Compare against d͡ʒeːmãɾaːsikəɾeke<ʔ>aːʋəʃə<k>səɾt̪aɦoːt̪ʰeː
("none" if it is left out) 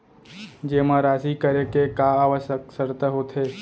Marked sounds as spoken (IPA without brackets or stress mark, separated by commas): k, k